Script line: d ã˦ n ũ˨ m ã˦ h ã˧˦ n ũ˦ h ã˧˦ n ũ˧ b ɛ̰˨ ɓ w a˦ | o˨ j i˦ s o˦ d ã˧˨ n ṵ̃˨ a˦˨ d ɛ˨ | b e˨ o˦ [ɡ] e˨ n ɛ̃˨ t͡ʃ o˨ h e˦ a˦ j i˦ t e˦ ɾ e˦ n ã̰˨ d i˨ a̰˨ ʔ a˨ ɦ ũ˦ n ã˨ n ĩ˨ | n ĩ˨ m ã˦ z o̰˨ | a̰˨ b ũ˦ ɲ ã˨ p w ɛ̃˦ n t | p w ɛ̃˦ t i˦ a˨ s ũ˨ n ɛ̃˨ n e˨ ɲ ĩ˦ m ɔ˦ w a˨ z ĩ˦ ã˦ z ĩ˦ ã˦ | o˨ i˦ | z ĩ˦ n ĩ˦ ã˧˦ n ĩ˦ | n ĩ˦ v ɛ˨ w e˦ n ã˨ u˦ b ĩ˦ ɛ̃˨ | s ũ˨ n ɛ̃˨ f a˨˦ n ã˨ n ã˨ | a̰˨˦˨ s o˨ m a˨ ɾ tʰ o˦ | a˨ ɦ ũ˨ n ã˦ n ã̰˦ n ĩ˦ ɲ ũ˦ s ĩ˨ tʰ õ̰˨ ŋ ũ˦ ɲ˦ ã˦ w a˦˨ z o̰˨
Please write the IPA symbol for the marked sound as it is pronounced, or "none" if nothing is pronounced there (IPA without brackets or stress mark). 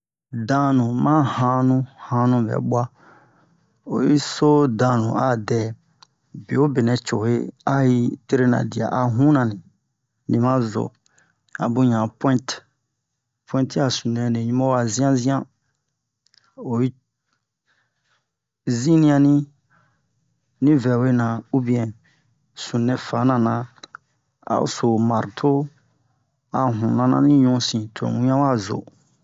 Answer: b